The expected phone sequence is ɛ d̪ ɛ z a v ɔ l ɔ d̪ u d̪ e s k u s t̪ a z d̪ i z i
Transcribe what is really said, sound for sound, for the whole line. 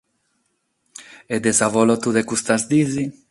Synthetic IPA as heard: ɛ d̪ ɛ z a v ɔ l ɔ t̪ u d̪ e k u s t̪ a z d̪ i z i

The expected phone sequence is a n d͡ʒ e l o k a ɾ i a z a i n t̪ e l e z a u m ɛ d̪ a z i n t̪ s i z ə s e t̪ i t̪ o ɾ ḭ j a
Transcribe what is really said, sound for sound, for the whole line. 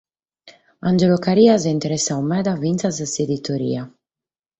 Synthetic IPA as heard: a n d͡ʒ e l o k a ɾ i a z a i n t̪ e ɾ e s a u m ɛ d̪ a v i n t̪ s a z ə s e d̪ i t̪ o ɾ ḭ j a

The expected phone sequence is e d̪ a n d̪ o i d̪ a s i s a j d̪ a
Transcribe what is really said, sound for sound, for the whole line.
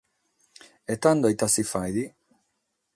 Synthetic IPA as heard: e t̪ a n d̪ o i t̪ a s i f a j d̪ i

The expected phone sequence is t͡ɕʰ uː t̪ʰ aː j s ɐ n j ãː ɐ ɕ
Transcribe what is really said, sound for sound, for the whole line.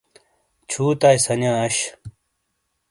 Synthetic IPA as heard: t͡ɕʰ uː t̪ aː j s ɐ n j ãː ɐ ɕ

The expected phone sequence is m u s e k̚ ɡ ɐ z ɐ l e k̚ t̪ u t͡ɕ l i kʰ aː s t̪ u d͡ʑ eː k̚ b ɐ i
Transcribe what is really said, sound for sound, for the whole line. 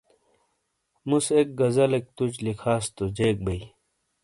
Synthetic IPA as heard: m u s e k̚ ɡ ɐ z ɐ l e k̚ t̪ u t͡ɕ l i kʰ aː s t̪ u d͡ʑ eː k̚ b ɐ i

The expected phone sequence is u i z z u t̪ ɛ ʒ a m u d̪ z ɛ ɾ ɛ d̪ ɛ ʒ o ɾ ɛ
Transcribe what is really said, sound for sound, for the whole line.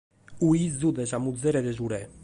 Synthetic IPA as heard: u i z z u d̪ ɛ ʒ a m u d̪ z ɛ ɾ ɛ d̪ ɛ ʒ u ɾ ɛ

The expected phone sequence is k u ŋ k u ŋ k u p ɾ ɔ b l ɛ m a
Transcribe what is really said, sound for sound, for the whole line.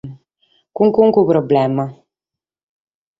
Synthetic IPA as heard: k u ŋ k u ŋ k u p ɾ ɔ b l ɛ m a

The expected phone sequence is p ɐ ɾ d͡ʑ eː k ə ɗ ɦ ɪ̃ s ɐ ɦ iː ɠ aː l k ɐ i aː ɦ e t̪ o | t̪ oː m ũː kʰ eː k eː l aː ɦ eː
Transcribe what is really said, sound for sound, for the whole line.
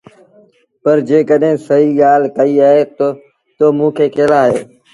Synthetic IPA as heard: p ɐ ɾ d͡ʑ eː k ə ɗ ɦ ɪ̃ s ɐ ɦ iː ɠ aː l k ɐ i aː ɦ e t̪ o | t̪ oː m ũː kʰ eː k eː l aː ɦ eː

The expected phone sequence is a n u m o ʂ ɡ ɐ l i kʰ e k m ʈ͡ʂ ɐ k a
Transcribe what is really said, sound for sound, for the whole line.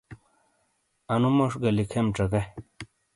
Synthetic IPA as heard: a n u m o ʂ ɡ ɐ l i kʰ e m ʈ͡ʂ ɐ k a

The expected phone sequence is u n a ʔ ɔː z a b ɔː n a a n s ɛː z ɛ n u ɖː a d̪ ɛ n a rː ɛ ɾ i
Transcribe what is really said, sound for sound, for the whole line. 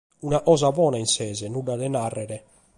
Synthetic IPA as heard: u n a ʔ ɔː z a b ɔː n a i n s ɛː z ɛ n u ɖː a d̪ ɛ n a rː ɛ ɾ ɛ

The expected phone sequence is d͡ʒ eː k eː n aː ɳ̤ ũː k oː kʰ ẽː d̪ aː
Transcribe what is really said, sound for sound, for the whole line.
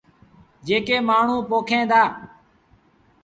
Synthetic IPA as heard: d͡ʒ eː k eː m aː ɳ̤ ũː p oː kʰ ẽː d̪ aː

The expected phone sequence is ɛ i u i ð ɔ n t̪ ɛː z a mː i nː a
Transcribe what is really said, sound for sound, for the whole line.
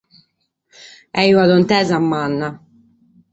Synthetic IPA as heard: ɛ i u a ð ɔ n t̪ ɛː z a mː a nː a

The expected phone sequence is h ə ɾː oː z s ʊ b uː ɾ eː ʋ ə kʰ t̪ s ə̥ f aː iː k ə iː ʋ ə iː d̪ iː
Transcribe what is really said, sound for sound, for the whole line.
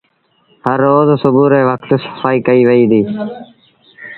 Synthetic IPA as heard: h ə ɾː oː z s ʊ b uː ɾ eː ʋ ə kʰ t̪ s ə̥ f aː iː k ə iː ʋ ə iː d̪ iː

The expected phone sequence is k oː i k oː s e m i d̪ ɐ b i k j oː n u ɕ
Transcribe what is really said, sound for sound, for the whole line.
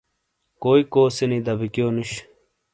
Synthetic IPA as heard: k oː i k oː s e n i d̪ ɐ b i k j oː n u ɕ

